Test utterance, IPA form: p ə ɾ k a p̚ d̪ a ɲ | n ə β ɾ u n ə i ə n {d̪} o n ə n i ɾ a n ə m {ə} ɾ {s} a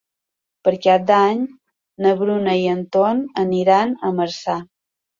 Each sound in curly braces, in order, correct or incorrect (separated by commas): incorrect, correct, correct